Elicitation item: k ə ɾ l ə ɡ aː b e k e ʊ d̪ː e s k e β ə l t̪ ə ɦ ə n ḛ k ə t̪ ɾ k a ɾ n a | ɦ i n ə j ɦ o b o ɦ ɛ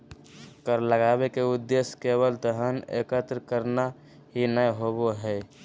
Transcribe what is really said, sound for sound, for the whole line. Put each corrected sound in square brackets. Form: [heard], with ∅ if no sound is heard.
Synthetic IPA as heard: k ə ɾ l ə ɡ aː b e k e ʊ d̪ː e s k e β ə l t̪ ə ɦ ə n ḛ k ə t̪ ɾ k [ə] ɾ n a | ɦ i n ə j ɦ o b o ɦ ɛ